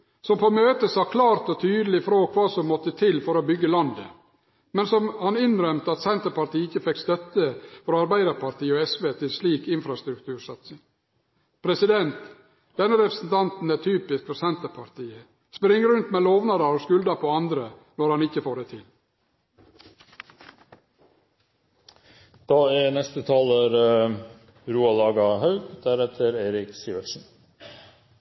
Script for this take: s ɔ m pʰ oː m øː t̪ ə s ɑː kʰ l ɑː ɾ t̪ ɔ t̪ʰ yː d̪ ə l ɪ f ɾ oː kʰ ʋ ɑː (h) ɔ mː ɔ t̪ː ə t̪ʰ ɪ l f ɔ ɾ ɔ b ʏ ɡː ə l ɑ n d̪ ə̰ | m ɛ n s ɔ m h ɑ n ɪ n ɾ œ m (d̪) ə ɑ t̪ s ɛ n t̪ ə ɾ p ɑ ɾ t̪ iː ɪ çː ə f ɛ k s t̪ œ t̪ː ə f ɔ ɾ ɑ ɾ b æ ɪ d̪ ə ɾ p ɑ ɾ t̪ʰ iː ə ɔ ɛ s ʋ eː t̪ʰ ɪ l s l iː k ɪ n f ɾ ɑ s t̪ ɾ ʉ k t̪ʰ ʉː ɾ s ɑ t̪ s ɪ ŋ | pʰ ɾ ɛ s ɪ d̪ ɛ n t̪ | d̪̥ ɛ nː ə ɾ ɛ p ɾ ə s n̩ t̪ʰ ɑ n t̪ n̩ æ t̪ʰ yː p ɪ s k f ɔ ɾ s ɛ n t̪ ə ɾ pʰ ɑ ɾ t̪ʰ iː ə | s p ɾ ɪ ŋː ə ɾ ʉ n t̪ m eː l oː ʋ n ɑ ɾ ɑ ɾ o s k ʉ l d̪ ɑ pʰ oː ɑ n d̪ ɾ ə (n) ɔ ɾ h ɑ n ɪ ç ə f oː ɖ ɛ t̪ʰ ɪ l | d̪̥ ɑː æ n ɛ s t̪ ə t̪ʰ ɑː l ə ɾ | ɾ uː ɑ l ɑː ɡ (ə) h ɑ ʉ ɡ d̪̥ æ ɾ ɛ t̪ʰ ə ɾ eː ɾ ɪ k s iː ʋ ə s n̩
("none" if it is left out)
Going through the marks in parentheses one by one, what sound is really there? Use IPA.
s, t̪, n, ɑ

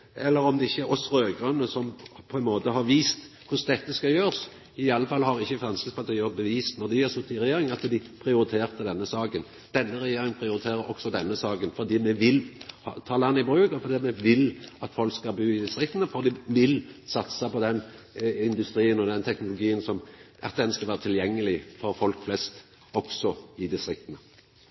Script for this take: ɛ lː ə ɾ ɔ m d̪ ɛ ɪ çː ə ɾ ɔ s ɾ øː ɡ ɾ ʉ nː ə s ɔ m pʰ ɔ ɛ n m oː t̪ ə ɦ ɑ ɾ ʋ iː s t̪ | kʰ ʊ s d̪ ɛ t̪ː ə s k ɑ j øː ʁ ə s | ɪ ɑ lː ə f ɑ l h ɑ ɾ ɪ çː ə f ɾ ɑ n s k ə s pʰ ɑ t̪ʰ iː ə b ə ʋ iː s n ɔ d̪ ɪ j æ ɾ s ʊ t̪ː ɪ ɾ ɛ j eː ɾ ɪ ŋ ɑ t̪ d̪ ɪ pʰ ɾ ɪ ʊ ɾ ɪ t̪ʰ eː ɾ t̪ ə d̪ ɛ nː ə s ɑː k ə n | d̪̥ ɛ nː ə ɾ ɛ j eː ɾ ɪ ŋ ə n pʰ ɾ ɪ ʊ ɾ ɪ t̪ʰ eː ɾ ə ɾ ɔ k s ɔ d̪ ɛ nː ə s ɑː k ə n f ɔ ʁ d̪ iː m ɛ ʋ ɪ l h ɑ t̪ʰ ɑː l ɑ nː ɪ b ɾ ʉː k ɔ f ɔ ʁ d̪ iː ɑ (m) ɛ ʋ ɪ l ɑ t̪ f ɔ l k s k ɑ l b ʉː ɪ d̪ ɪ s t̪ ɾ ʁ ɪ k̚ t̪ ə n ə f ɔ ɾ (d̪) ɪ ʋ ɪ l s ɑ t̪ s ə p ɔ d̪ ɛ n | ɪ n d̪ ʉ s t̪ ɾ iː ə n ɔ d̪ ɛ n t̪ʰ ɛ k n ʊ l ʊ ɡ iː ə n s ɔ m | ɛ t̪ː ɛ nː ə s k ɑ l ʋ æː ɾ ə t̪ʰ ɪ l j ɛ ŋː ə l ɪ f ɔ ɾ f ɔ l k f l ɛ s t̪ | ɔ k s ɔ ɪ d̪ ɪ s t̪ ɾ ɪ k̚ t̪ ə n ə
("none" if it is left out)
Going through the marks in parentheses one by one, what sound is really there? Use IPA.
m, d̪

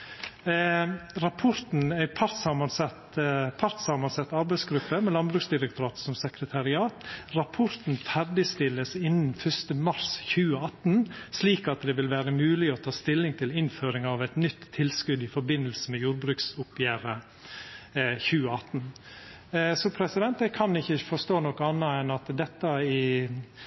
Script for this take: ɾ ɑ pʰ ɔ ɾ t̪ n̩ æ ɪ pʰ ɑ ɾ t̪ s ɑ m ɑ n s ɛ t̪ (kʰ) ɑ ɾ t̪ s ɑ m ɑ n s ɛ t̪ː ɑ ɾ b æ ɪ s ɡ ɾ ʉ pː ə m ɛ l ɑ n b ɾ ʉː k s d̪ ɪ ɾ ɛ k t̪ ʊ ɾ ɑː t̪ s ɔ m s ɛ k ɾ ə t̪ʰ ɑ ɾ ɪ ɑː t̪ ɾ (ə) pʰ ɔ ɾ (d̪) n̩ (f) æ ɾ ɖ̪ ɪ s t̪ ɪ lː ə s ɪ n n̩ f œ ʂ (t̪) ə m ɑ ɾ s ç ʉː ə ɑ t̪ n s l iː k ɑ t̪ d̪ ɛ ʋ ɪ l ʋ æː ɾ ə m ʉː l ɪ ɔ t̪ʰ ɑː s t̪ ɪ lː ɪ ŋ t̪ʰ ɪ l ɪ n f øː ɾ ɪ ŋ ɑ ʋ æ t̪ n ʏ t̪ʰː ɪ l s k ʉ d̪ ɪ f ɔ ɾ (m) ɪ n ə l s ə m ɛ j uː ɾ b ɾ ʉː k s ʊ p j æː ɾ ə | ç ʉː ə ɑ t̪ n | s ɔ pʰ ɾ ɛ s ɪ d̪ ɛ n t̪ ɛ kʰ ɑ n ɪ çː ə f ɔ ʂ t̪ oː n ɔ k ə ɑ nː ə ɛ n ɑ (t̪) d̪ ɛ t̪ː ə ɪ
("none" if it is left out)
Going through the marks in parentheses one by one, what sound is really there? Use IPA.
pʰ, ɑ, t̪, f, t̪, b, t̪

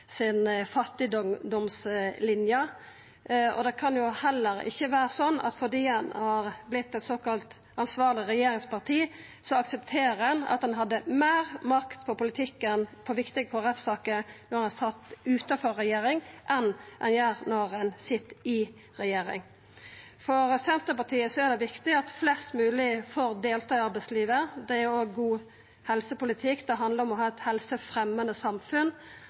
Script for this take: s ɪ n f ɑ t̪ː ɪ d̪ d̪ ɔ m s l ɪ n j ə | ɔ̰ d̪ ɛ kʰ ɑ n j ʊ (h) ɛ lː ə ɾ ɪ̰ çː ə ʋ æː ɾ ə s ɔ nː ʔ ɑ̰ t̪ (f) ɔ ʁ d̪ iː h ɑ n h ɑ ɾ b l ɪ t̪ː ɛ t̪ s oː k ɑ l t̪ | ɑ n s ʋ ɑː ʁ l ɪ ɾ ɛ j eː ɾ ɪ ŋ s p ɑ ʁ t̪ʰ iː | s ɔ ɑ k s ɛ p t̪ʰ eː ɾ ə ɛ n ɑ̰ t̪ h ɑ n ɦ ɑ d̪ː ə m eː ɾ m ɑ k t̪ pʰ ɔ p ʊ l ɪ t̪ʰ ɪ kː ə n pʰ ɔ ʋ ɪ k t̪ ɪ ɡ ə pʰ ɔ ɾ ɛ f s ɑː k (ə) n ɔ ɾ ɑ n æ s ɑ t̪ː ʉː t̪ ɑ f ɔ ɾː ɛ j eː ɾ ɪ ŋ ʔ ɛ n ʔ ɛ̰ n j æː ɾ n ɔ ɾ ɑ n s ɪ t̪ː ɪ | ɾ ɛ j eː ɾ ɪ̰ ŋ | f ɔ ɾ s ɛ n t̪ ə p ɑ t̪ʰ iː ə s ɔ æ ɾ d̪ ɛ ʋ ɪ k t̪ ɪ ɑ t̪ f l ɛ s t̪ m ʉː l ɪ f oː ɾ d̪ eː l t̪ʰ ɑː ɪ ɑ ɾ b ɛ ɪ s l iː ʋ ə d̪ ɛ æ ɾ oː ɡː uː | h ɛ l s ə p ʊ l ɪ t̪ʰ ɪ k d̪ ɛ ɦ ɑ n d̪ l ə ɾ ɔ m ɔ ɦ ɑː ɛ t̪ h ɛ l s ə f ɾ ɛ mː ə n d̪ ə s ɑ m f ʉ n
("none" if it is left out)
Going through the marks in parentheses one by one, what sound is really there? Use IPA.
h, f, ə

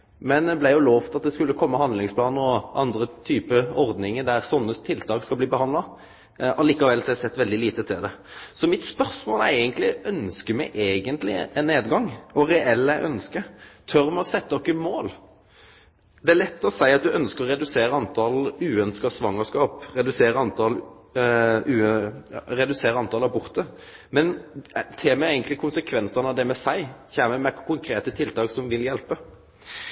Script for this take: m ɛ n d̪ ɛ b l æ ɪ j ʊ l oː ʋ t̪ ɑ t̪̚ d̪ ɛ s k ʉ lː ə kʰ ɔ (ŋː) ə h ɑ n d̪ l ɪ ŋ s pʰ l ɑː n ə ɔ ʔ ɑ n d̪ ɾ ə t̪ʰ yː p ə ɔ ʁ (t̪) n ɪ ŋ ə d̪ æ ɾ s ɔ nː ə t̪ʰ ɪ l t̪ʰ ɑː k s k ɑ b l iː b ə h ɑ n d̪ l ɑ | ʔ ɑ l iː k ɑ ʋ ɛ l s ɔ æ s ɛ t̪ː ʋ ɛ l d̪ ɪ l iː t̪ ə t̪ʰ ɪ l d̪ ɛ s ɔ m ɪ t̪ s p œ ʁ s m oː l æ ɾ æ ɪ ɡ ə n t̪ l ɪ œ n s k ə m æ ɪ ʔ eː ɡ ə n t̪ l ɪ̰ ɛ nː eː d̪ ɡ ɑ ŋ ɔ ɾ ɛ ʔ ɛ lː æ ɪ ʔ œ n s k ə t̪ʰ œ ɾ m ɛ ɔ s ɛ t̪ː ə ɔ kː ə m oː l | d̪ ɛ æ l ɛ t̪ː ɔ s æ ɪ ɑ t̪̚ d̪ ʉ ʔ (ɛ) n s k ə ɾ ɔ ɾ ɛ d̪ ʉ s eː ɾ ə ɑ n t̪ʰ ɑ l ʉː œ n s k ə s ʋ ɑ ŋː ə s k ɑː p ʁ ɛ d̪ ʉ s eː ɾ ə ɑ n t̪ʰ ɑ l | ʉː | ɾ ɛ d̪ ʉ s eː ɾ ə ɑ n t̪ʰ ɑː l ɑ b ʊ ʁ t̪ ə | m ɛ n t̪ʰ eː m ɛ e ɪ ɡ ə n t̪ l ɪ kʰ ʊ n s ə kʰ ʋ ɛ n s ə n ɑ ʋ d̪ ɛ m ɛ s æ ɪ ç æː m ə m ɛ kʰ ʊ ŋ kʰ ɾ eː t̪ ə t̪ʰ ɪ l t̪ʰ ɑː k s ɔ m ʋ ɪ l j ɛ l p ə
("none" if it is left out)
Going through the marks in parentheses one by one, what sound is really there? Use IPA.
mː, d̪, œ

